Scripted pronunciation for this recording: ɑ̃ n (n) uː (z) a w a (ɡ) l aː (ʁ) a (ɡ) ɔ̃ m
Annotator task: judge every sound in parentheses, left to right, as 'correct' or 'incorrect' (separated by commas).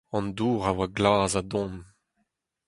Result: incorrect, incorrect, correct, incorrect, incorrect